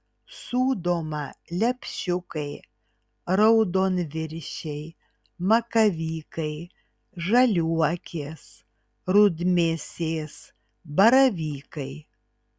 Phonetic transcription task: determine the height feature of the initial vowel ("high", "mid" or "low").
high